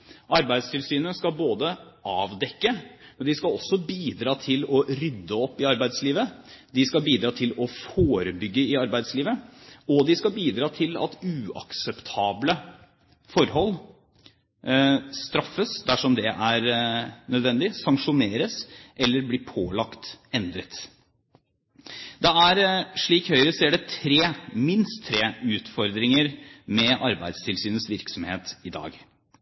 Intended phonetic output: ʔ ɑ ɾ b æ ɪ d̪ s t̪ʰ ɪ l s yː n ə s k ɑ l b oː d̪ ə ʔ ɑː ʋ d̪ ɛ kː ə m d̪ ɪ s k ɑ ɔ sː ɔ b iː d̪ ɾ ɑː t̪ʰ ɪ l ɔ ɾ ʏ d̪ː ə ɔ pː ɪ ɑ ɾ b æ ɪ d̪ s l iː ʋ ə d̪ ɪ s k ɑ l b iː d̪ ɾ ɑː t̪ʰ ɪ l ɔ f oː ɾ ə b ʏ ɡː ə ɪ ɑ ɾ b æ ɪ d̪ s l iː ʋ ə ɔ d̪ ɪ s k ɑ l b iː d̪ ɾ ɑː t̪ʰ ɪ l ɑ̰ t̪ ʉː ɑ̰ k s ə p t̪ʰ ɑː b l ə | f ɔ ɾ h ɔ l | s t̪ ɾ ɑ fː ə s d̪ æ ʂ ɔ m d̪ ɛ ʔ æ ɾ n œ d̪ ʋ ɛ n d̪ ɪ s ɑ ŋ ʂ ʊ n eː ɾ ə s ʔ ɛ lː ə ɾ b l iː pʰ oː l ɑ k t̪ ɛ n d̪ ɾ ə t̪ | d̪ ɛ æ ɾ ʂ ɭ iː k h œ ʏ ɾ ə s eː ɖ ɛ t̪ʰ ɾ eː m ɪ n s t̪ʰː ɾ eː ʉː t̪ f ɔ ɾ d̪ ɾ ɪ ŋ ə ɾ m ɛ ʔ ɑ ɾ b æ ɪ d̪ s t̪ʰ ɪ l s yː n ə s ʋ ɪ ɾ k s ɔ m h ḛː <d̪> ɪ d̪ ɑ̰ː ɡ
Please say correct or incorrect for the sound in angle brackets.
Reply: incorrect